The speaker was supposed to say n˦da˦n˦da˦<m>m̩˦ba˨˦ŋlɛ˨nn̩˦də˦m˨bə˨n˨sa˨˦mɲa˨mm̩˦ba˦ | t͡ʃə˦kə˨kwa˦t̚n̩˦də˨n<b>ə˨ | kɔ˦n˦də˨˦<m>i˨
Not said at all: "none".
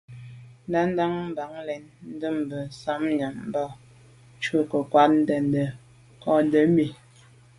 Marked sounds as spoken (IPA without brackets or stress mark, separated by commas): ŋ, d, m